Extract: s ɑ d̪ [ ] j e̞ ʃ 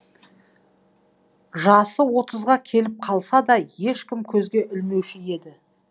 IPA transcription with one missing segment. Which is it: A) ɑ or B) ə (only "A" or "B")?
A